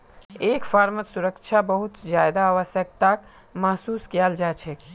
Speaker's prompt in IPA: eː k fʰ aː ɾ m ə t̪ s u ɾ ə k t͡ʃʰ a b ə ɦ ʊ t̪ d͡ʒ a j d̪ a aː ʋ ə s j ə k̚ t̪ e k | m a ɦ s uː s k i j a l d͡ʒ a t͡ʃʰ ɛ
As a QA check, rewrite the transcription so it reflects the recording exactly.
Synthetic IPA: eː k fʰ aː ɾ m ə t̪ s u ɾ ə k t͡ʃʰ a b ə ɦ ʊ t̪ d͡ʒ a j d̪ a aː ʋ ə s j ə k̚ t̪ a k | m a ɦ s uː s k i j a l d͡ʒ a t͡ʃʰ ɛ